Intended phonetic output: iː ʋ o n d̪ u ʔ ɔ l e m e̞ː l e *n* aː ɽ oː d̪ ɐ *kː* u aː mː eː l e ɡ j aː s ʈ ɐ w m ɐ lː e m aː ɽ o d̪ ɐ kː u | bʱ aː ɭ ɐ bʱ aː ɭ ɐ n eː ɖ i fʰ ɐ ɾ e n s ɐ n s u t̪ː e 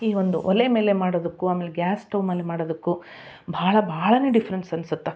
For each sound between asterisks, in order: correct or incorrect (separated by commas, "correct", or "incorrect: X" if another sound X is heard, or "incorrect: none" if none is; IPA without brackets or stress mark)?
incorrect: m, correct